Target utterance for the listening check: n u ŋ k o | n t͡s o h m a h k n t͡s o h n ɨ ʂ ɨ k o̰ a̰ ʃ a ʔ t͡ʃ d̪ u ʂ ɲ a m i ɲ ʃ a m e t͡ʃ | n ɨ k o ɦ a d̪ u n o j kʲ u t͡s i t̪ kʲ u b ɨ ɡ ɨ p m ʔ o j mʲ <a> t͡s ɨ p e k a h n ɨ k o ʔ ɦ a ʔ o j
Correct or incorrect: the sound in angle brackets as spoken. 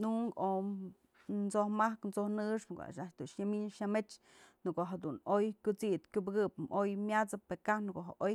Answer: correct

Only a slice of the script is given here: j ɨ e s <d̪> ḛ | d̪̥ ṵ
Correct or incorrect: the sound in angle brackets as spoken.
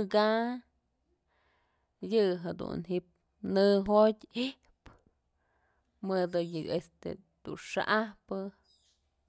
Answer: incorrect: t̪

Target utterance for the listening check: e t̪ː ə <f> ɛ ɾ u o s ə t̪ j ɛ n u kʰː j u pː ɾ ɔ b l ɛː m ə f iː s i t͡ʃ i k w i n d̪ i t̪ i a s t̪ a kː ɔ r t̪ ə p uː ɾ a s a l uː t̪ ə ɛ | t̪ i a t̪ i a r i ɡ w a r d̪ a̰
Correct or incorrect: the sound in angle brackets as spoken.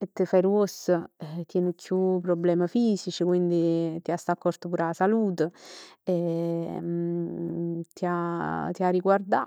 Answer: correct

